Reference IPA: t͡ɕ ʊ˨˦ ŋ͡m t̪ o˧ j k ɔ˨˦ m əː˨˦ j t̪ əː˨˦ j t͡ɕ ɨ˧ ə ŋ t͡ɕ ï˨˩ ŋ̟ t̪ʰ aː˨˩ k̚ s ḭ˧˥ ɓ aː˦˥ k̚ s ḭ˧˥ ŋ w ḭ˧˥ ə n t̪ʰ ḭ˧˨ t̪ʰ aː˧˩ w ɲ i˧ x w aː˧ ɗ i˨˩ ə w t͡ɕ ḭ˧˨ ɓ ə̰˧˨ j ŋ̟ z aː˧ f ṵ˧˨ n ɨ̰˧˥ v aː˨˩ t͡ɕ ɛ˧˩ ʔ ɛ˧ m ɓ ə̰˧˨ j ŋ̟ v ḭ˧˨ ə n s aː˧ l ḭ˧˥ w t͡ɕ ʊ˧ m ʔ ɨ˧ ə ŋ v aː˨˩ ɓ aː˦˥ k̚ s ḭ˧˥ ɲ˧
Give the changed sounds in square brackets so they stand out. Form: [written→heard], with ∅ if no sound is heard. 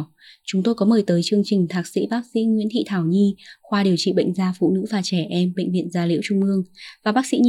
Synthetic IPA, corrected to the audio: t͡ɕ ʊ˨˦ ŋ͡m t̪ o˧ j k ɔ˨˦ m [əː˨˦→əː˨˩] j t̪ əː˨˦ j t͡ɕ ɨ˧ ə ŋ t͡ɕ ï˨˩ ŋ̟ t̪ʰ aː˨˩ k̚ s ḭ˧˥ ɓ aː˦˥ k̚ s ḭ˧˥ ŋ w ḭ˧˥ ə n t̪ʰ ḭ˧˨ t̪ʰ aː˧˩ w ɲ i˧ x w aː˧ ɗ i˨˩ ə w t͡ɕ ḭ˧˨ ɓ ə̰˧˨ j ŋ̟ z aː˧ f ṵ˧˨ n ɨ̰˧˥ v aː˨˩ t͡ɕ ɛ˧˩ ʔ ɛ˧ m ɓ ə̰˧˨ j ŋ̟ v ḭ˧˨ ə n [s→z] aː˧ l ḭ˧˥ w t͡ɕ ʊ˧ [m→ŋ͡m] ʔ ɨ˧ ə ŋ v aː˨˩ ɓ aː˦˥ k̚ s ḭ˧˥ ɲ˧